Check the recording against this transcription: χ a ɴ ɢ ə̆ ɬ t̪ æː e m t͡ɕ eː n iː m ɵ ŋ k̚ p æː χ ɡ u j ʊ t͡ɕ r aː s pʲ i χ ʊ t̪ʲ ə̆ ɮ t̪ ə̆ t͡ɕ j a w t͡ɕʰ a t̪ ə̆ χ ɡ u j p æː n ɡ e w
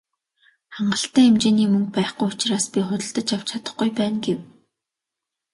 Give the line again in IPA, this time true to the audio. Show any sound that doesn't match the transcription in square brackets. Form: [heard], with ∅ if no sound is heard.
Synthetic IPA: χ a ɴ ɢ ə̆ ɬ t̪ æː e m t͡ɕ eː n iː m ɵ ŋ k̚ p æː χ ɡ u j ʊ t͡ɕ r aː s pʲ i χ ʊ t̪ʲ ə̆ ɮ t̪ ə̆ t͡ɕ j a w t͡ɕʰ a t̪ ə̆ χ ɡ u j p æː n ɡ e w